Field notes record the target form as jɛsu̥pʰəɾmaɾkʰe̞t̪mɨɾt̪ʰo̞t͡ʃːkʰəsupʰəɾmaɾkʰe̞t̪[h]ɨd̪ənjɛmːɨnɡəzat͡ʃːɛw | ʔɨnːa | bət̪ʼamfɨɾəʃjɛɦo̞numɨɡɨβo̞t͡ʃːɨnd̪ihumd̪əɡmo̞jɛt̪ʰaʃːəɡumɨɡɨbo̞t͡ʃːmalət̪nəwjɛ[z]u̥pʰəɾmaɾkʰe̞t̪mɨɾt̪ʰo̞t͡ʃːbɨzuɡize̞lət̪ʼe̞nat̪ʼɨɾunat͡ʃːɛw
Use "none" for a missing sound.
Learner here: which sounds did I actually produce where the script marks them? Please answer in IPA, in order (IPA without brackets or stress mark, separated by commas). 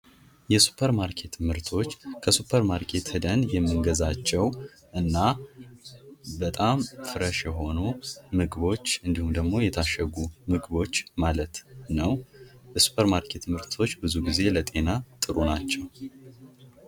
h, s